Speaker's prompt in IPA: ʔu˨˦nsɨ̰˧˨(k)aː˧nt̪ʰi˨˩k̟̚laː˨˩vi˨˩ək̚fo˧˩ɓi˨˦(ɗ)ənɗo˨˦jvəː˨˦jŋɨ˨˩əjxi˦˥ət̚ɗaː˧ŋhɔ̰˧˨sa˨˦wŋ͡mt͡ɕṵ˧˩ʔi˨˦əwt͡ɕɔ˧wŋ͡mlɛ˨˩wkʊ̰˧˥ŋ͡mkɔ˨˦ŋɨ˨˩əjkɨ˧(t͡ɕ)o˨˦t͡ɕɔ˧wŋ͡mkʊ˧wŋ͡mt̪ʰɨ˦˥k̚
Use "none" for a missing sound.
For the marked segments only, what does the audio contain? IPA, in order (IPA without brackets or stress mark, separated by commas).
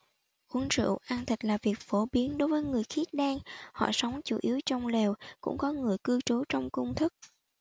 ʔ, none, t͡ɕ